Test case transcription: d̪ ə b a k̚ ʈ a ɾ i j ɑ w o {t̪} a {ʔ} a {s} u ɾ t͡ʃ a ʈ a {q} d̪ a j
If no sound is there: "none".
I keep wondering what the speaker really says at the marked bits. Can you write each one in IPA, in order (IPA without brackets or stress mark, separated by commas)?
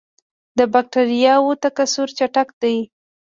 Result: t̪, k, s, k